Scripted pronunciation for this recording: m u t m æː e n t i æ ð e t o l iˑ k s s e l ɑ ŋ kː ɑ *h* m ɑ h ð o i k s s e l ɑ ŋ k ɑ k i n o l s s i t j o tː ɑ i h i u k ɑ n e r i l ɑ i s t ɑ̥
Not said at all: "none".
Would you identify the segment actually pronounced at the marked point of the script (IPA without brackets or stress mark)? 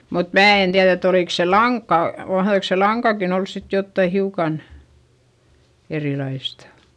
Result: none